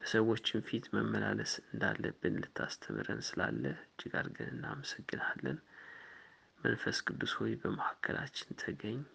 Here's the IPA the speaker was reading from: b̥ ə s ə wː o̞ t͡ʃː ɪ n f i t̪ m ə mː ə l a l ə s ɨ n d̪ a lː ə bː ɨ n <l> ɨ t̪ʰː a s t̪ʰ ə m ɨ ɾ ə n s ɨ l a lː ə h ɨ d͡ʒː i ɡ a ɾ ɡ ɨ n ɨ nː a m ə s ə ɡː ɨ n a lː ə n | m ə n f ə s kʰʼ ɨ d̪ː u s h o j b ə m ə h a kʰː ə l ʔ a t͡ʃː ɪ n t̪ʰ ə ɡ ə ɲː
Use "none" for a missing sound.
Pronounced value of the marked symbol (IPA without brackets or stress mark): l